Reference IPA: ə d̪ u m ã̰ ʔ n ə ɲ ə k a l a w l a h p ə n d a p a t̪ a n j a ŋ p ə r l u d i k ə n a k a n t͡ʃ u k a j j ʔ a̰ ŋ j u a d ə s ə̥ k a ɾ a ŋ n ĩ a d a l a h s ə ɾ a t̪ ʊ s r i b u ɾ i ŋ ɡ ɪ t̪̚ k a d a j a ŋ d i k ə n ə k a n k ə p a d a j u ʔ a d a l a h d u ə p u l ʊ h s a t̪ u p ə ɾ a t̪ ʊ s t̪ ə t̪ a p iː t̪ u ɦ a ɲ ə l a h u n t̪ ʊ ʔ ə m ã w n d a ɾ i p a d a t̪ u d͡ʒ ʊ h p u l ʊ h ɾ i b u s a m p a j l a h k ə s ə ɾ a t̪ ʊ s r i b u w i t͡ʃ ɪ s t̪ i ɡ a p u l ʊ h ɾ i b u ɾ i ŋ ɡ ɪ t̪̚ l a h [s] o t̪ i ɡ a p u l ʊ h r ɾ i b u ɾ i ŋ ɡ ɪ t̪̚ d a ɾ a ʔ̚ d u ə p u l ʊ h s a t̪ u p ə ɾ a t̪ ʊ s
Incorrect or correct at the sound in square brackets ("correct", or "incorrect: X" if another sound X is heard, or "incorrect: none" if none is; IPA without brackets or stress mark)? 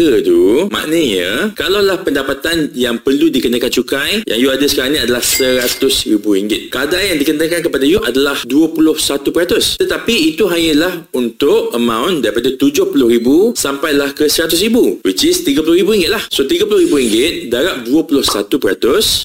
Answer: correct